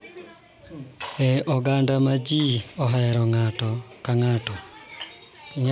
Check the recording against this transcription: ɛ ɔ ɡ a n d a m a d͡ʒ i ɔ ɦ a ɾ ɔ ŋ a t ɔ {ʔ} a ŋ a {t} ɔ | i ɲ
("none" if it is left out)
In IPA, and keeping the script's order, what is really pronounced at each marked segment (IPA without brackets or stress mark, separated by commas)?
k, t